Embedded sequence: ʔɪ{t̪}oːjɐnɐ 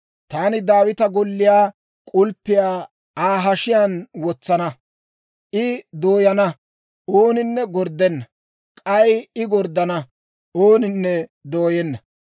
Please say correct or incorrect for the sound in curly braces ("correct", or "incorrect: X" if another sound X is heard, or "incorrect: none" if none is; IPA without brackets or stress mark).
incorrect: d̪